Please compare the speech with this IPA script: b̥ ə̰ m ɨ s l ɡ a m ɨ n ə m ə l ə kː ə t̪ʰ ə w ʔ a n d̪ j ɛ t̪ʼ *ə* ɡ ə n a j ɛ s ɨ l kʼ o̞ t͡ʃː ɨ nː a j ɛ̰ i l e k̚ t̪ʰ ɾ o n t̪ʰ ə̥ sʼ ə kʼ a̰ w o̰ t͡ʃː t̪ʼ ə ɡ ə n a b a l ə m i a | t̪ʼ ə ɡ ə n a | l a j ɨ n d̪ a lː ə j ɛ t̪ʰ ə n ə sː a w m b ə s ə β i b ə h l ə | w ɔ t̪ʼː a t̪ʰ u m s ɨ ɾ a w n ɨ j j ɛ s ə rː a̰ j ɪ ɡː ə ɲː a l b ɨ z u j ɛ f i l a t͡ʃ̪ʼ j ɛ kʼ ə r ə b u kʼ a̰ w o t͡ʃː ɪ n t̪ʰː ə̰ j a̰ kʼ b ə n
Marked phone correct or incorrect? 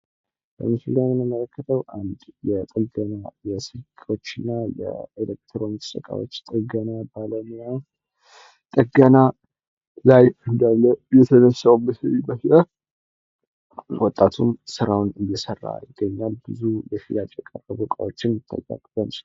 correct